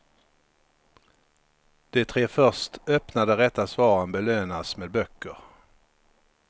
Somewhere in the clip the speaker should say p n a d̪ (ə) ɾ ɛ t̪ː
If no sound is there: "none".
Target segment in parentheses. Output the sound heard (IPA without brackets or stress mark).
ə